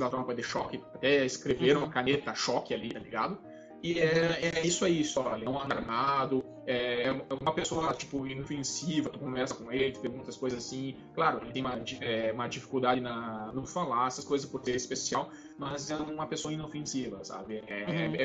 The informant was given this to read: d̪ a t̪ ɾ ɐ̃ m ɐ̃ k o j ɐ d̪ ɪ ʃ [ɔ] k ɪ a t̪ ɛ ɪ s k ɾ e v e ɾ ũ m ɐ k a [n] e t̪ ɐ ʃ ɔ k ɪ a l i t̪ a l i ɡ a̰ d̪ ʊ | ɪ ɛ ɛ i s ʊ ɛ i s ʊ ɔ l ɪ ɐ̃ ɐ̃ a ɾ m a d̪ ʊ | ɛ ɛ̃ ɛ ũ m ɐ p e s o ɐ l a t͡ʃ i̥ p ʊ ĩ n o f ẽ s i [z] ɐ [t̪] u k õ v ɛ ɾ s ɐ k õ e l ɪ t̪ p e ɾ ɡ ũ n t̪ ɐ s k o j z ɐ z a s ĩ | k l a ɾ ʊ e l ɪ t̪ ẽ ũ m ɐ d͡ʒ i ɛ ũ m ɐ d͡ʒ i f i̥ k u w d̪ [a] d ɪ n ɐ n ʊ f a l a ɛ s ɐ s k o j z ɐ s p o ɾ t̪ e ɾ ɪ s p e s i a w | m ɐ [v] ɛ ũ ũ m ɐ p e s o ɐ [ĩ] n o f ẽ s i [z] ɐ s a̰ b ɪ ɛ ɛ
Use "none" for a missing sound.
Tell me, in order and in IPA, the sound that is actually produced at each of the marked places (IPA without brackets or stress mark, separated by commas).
ɔ, n, v, t̪, a, z, ĩ, v